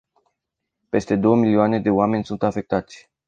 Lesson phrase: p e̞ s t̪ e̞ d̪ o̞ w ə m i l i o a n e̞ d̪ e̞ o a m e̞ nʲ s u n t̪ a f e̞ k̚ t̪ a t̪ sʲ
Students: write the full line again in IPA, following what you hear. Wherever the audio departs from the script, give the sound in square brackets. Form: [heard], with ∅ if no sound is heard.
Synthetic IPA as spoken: p e̞ s t̪ e̞ d̪ o̞ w ə m i l i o a n e̞ d̪ e̞ o a m e̞ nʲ s u n t̪ a f e̞ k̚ t̪ a t̪ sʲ

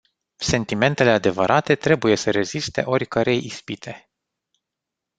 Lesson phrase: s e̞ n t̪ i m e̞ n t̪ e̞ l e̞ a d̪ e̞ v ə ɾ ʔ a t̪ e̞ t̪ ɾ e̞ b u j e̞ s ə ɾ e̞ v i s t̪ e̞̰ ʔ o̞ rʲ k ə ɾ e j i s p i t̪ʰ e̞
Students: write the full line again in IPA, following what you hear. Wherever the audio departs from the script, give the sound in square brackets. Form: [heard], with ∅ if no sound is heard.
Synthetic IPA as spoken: s e̞ n t̪ i m e̞ n t̪ e̞ l e̞ a d̪ e̞ v ə ɾ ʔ a t̪ e̞ t̪ ɾ e̞ b u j e̞ s ə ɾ e̞ [z] i s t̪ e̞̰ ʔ o̞ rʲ k ə ɾ e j i s p i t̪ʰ e̞

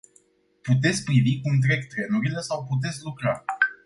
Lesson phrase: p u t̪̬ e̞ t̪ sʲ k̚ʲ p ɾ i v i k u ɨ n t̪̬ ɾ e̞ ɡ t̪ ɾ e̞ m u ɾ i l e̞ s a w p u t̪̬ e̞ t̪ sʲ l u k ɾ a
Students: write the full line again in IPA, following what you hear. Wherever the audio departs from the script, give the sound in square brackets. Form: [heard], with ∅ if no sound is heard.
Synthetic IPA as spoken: p u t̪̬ e̞ t̪ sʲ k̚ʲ p ɾ i v i k u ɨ n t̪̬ ɾ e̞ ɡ t̪ ɾ e̞ [n] u ɾ i l e̞ s a w p u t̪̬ e̞ t̪ sʲ l u k ɾ a

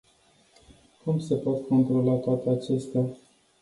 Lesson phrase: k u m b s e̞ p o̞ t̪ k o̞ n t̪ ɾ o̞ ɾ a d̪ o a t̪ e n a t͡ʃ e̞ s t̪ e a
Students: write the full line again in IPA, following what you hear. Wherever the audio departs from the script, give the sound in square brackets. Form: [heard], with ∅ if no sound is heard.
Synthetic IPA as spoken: k u m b s e̞ p o̞ t̪ k o̞ n t̪ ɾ o̞ [l] a [t̪] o a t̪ e [∅] a t͡ʃ e̞ s t̪ e a

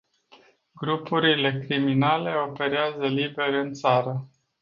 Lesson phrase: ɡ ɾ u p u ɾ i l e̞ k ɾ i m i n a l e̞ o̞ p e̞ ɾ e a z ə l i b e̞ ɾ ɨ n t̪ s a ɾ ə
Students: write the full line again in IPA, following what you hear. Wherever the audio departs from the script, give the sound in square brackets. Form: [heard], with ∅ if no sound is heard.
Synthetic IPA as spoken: ɡ ɾ u p u ɾ i l e̞ k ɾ i m i n a l e̞ o̞ p e̞ ɾ e a z ə l i b e̞ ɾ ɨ n t̪ s a ɾ ə

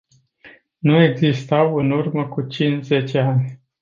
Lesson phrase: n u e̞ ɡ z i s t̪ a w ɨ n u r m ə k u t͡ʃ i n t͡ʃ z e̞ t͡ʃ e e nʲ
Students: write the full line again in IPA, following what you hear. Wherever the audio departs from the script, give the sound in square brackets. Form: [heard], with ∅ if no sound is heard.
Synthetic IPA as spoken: n u e̞ ɡ z i s t̪ a w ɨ n u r m ə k u t͡ʃ i n t͡ʃ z e̞ t͡ʃ e [a] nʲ

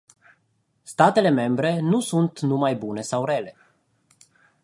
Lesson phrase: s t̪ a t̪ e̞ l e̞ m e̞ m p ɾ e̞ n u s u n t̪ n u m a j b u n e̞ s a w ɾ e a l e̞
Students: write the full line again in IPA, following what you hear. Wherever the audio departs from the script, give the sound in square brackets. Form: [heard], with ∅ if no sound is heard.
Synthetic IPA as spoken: s t̪ a t̪ e̞ l e̞ m e̞ m [b] ɾ e̞ n u s u n t̪ n u m a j b u n e̞ s a w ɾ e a l e̞

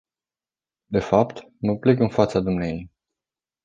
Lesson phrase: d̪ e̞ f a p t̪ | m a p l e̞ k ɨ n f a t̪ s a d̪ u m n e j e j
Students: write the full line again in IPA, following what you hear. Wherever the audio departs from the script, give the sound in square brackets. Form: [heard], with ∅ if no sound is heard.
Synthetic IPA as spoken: d̪ e̞ f a p t̪ | m [ə] p l e̞ k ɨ n f a t̪ s a d̪ u m n e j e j

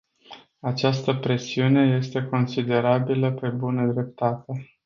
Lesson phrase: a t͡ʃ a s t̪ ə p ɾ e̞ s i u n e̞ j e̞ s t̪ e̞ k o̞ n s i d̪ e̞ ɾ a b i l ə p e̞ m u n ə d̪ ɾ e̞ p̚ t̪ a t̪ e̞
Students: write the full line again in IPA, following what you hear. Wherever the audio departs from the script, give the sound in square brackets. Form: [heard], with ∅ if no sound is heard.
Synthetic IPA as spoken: a t͡ʃ a s t̪ ə p ɾ e̞ s i u n e̞ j e̞ s t̪ e̞ k o̞ n s i d̪ e̞ ɾ a b i l ə p e̞ [b] u n ə d̪ ɾ e̞ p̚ t̪ a t̪ e̞

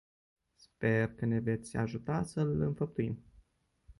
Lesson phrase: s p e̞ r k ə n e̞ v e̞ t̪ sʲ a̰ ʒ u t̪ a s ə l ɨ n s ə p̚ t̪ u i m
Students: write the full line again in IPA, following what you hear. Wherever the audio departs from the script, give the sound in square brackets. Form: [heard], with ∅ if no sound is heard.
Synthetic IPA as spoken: s p e̞ r k ə n e̞ v e̞ t̪ sʲ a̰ ʒ u t̪ a s ə l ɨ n [f] ə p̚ t̪ u i m

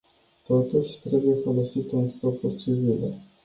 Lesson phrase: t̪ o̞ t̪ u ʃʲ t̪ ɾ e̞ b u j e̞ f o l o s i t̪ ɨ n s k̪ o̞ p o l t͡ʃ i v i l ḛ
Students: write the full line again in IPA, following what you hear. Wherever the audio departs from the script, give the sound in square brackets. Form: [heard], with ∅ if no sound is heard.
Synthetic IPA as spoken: t̪ o̞ t̪ u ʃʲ t̪ ɾ e̞ b u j e̞ f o l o s i t̪ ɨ n s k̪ o̞ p [u] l t͡ʃ i v i l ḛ

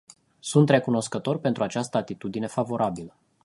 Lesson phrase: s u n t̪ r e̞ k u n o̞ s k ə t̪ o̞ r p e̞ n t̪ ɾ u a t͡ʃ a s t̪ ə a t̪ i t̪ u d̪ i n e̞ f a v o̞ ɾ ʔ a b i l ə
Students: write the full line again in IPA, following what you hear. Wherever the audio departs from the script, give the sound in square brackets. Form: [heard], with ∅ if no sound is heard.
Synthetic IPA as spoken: s u n t̪ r e̞ k u n o̞ s k ə t̪ o̞ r p e̞ n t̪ ɾ u a t͡ʃ a s t̪ ə a t̪ i t̪ u d̪ i n e̞ f a v o̞ ɾ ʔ a b i l ə

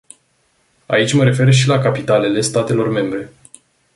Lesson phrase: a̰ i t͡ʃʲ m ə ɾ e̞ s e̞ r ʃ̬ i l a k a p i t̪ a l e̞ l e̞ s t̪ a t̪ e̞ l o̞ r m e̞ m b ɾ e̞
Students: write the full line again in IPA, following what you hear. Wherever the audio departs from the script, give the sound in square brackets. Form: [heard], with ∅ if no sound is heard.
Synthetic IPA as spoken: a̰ i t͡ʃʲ m ə ɾ e̞ [f] e̞ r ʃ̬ i l a k a p i t̪ a l e̞ l e̞ s t̪ a t̪ e̞ l o̞ r m e̞ m b ɾ e̞

